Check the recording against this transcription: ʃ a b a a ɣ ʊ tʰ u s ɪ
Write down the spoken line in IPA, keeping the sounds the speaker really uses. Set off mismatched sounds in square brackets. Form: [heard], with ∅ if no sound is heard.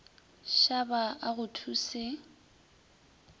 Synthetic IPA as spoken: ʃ a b a a ɣ ʊ tʰ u s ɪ

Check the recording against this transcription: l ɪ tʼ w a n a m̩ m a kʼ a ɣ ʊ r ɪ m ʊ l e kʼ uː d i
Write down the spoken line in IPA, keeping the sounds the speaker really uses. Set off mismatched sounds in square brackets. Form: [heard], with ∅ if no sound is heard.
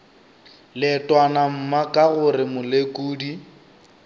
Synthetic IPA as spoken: l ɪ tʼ w a n a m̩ m a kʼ a ɣ ʊ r ɪ m ʊ l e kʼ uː d i

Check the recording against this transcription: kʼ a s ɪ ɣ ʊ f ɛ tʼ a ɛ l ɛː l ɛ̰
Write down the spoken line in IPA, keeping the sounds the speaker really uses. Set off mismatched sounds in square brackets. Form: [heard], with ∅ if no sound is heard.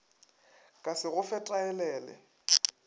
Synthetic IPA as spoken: kʼ a s ɪ ɣ ʊ f ɛ tʼ a ɛ l ɛː l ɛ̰

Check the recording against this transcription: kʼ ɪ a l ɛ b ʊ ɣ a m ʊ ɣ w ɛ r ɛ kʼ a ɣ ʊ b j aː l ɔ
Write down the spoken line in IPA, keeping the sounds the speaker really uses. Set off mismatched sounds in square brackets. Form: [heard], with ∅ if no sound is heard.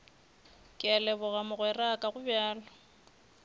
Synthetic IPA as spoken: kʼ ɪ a l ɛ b ʊ ɣ a m ʊ ɣ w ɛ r [a] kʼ a ɣ ʊ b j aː l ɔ

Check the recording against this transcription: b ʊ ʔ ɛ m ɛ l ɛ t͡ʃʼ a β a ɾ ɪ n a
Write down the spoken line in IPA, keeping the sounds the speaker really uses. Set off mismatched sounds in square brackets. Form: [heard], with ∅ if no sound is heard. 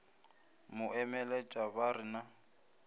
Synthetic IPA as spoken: [m] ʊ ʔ ɛ m ɛ l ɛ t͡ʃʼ a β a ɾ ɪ n a

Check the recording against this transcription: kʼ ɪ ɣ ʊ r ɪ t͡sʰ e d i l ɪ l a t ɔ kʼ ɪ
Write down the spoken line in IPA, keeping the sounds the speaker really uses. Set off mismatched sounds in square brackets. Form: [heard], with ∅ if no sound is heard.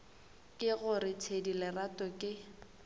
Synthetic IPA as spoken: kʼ ɪ ɣ ʊ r ɪ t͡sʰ e d i l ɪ [r] a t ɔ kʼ ɪ

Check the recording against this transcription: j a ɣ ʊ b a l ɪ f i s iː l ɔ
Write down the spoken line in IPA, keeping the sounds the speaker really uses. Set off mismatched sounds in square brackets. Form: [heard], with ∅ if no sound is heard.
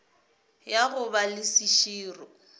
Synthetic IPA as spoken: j a ɣ ʊ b a l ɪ [s] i [ʃ] iː [r] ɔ

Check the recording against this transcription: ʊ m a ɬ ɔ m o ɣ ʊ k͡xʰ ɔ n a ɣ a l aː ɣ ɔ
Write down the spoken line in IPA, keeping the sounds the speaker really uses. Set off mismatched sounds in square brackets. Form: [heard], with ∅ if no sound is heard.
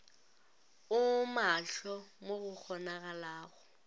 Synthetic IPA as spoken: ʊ m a ɬ ɔ m o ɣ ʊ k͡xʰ ɔ n a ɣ a l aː ɣ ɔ

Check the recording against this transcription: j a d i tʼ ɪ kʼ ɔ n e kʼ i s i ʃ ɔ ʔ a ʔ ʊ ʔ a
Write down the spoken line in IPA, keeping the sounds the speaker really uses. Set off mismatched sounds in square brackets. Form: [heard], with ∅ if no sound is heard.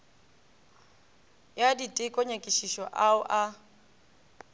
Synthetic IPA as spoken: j a d i tʼ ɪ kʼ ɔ [ɲ] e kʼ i [ʃ] i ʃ ɔ ʔ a [∅] ʊ ʔ a

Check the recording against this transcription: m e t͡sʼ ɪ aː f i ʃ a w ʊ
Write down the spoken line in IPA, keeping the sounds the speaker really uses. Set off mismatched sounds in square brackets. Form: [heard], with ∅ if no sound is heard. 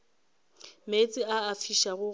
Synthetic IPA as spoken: m e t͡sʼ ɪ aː f i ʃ a [ɣ] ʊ

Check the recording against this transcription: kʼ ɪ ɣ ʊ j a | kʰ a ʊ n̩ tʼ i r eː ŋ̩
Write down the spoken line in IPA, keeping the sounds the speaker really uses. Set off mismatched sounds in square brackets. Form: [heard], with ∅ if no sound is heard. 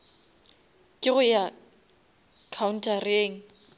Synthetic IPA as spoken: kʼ ɪ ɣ ʊ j a | kʰ a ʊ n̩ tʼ [a] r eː ŋ̩

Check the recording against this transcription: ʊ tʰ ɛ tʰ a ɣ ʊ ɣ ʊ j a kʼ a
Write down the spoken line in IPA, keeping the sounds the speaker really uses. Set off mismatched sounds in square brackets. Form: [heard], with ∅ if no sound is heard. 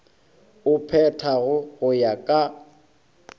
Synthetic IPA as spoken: ʊ [pʰ] ɛ tʰ a ɣ ʊ ɣ ʊ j a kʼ a

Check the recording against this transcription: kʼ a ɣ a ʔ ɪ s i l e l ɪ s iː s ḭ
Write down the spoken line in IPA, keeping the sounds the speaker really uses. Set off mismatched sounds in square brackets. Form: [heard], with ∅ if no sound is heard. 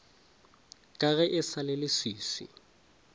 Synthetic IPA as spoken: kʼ a ɣ [ɛ] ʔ ɪ s [a] l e l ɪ s iː s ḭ

